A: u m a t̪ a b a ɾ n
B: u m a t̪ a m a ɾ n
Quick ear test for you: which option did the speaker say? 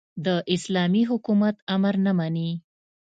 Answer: B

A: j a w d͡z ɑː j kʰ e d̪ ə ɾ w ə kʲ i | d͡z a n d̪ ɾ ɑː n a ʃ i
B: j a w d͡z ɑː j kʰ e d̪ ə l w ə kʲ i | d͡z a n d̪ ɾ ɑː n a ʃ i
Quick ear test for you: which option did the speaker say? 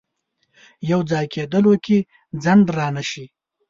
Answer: B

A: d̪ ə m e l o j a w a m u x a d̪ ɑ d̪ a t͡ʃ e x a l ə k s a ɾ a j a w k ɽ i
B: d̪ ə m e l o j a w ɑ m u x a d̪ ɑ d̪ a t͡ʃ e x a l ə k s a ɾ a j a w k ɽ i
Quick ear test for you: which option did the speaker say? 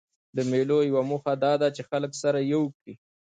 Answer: A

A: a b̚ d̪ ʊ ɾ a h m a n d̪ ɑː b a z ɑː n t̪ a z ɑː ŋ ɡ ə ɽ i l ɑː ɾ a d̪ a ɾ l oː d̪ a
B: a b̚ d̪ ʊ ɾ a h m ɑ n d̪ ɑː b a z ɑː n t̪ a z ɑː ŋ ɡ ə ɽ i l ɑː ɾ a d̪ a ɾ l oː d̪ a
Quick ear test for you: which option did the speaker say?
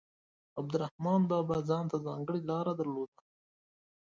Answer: B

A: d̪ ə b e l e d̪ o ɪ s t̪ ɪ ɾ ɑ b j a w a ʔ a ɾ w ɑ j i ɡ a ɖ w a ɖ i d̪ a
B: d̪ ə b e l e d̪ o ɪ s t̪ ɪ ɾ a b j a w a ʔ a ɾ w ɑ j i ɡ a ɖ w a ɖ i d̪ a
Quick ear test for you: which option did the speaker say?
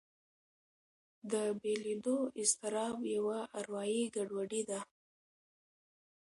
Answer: A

